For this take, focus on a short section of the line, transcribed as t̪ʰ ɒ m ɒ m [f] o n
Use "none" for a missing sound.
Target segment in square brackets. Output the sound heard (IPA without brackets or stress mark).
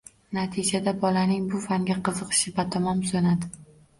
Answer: s